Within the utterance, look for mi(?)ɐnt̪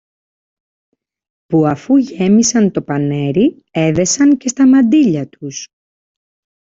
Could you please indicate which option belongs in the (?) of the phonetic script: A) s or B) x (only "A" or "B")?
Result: A